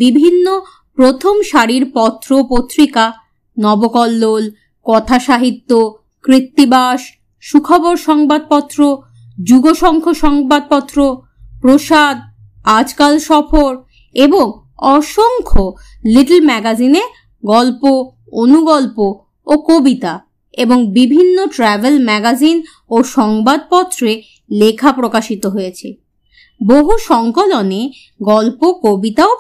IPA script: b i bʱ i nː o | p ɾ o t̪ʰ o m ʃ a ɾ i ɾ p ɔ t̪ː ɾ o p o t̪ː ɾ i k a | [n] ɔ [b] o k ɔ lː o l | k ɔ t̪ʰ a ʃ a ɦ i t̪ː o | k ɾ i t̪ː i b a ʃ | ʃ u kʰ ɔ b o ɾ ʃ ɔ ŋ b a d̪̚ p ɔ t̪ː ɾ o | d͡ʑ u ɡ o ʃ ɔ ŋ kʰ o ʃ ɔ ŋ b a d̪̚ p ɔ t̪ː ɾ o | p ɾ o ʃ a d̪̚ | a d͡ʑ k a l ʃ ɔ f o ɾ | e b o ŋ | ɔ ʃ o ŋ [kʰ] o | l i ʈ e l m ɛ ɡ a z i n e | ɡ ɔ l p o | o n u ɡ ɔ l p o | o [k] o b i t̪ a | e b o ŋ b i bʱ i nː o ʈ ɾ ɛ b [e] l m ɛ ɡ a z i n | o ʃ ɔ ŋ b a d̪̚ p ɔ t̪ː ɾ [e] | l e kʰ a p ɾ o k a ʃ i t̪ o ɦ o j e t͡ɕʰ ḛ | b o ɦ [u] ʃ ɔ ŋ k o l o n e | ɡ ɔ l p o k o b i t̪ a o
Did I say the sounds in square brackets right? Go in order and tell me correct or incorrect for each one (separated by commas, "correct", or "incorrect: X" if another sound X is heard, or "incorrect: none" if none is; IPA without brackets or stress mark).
correct, correct, correct, correct, correct, correct, correct